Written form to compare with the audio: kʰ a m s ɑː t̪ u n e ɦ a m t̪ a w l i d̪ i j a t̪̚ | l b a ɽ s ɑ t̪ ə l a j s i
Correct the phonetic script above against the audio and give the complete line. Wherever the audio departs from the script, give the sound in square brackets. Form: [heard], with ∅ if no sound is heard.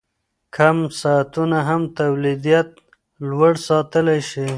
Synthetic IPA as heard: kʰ a m s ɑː t̪ u n [a] ɦ a m t̪ a w l i d̪ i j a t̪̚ | l [w] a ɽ s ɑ t̪ ə l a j [ʃ] i